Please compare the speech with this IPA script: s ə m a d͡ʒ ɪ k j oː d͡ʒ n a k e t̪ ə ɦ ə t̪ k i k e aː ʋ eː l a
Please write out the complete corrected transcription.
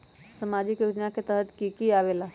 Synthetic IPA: s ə m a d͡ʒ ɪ k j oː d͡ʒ n a k e t̪ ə ɦ ə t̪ k i k i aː ʋ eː l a